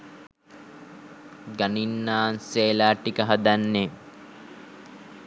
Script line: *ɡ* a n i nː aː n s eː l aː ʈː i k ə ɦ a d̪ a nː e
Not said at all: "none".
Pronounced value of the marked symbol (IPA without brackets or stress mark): ɡ